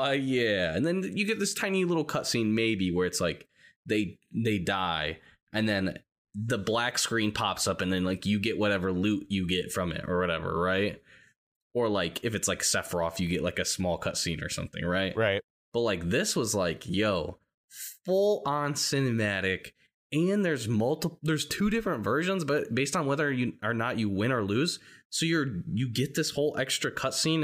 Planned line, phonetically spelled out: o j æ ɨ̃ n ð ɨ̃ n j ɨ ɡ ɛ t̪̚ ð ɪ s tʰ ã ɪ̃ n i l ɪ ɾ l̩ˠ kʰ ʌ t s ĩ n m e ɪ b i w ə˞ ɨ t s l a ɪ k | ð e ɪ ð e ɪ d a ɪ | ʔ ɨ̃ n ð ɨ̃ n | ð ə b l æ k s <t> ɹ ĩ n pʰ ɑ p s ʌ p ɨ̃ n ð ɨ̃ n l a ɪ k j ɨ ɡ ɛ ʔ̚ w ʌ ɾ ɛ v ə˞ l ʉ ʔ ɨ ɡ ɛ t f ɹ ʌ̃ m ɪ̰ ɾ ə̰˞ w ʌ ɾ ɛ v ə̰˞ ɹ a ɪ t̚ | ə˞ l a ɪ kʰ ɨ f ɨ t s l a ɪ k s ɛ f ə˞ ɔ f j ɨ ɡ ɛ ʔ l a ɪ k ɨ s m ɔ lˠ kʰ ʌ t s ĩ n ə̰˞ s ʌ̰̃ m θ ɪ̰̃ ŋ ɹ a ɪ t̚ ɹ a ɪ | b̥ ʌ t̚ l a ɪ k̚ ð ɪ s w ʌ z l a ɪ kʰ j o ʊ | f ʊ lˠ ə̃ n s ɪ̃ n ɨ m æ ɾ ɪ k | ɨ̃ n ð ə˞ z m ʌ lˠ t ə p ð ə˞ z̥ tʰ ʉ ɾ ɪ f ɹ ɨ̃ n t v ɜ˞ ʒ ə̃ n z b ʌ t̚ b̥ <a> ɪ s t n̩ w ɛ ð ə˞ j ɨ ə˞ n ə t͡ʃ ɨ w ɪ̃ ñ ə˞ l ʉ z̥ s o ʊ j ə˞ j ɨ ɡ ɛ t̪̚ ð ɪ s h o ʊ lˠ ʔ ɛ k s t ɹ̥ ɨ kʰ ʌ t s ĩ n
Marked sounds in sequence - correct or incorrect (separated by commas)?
incorrect, incorrect